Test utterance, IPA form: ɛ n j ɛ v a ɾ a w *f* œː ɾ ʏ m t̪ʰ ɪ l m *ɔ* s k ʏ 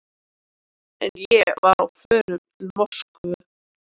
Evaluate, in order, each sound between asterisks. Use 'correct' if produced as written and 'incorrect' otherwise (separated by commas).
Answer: correct, correct